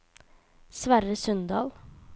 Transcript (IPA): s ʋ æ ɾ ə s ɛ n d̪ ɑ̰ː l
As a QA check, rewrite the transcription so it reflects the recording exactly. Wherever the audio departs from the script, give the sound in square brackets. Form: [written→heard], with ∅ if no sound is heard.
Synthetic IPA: s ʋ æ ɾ ə s [ɛ→œ] n d̪ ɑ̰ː l